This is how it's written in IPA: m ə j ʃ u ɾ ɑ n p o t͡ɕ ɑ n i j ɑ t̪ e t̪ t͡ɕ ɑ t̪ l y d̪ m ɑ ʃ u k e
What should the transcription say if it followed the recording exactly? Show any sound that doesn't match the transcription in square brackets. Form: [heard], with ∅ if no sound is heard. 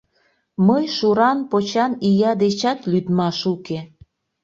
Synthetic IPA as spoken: m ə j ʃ u ɾ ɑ n p o t͡ɕ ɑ n i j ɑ [d̪] e [∅] t͡ɕ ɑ t̪ l y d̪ m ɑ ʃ u k e

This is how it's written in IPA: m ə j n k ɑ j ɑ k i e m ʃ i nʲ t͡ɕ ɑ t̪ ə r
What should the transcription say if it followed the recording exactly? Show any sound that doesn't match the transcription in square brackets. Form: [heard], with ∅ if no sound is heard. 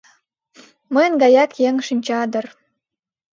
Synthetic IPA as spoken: m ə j n [ɡ] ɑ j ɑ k [j] e [ŋ] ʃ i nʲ t͡ɕ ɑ [d̪] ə r

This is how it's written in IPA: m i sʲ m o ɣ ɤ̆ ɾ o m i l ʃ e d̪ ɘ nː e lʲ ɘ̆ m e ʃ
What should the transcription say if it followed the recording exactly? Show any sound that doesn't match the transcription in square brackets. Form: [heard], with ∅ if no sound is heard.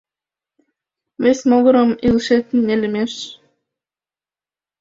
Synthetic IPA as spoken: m [e] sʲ m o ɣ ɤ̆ ɾ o m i l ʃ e [t̪] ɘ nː e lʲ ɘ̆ m e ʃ

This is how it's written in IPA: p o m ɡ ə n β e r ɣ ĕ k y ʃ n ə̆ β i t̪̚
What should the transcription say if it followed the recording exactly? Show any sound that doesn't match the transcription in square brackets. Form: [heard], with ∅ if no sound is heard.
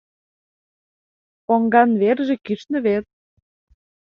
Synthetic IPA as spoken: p o [ŋ] ɡ [ɑ] n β e r [ʒ] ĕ k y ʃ n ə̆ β [e] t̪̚

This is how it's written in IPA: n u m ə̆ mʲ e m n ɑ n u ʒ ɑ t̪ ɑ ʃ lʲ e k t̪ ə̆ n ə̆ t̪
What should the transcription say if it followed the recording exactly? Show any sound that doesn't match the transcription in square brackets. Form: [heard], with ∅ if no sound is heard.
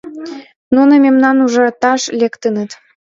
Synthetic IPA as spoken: n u [n] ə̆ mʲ e m n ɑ n u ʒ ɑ t̪ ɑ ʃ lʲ e k t̪ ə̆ n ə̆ t̪

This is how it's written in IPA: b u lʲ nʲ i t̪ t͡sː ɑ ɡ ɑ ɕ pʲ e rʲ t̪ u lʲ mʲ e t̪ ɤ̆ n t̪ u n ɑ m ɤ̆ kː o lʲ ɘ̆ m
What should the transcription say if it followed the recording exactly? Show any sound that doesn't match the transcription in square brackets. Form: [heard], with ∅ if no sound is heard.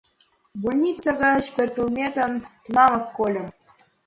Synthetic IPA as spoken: b u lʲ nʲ i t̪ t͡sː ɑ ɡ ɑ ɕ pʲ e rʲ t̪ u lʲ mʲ e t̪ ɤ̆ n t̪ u n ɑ m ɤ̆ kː o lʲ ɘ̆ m

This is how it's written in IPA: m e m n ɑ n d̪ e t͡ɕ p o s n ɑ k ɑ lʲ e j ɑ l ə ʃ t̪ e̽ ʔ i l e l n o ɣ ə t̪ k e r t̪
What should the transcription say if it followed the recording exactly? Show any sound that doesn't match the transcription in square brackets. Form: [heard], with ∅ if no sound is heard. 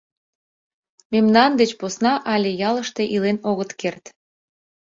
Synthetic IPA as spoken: m e m n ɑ n d̪ e t͡ɕ p o s n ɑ [ʔ] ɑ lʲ e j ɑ l ə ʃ t̪ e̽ ʔ i l e [∅] n o ɣ ə t̪ k e r t̪

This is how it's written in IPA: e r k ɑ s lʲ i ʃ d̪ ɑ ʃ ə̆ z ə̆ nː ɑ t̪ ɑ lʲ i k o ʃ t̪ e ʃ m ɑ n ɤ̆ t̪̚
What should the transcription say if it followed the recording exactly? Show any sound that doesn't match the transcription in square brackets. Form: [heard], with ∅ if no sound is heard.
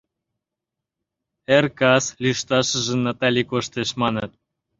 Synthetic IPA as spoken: e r k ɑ s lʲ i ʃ [t̪] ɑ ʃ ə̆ [ʒ] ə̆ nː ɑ t̪ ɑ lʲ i k o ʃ t̪ e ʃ m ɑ n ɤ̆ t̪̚

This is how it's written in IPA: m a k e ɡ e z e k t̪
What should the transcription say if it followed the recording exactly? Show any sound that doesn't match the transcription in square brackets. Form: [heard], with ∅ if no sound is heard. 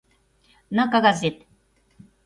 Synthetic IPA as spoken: [n] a k [a] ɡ [a] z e [∅] t̪

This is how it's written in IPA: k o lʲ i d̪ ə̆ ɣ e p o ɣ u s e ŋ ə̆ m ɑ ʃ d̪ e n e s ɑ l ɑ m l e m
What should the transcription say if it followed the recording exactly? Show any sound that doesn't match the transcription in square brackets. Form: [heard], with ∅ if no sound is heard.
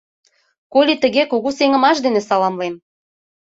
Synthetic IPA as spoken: k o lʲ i [t̪] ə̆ ɣ e [k] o ɣ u s e ŋ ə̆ m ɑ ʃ d̪ e n e s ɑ l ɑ m l e m

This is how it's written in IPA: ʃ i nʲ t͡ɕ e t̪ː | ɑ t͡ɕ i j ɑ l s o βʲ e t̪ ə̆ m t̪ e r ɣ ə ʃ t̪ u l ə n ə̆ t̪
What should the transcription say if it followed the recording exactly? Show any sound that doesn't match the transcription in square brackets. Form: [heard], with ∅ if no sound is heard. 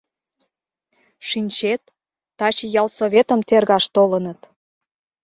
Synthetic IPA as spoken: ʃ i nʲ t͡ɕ e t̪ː | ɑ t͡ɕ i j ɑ l s o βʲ e t̪ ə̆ m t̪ e r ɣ [ɑ] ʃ t̪ [o] l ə n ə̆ t̪

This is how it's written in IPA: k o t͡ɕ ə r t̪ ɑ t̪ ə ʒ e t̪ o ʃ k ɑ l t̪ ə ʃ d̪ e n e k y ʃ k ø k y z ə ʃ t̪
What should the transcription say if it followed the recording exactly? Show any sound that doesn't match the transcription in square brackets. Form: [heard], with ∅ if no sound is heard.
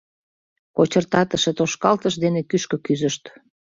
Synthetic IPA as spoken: k o t͡ɕ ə r t̪ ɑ t̪ ə [ʃ] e t̪ o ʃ k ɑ l t̪ ə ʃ d̪ e n e k y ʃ k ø k y z ə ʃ t̪

